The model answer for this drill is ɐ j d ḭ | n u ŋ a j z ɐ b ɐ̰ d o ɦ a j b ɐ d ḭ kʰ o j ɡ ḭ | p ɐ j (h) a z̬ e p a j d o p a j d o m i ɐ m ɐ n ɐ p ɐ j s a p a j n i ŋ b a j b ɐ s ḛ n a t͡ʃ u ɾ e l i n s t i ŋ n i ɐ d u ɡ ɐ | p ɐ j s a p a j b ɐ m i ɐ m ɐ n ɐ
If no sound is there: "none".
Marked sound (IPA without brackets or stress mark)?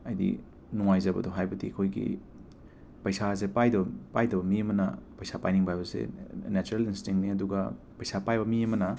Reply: s